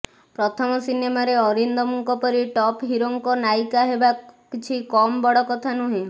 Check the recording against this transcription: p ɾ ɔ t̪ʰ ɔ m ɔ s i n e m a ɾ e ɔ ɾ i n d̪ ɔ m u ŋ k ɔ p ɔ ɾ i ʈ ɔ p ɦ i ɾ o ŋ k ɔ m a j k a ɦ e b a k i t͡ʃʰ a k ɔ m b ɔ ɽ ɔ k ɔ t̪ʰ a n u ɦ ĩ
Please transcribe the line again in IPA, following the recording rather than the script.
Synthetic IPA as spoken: p ɾ ɔ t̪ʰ ɔ m ɔ s i n e m a ɾ e ɔ ɾ i n d̪ ɔ m u ŋ k ɔ p ɔ ɾ i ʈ ɔ p ɦ i ɾ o ŋ k ɔ n a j k a ɦ e b a k i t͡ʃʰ i k ɔ m b ɔ ɽ ɔ k ɔ t̪ʰ a n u ɦ ĩ